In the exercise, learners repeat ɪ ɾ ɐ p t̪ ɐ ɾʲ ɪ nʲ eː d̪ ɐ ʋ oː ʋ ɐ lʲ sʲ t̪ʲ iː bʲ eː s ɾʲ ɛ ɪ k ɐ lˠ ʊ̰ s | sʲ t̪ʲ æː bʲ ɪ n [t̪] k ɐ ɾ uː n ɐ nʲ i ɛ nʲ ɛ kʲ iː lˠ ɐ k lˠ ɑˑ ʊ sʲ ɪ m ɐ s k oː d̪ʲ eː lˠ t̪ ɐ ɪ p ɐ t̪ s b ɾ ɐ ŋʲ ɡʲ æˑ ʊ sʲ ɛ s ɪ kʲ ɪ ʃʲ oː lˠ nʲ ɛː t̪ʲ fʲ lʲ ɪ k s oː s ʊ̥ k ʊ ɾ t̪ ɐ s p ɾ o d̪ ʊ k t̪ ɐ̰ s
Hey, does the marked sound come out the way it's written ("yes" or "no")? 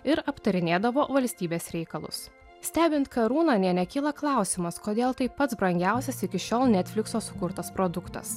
yes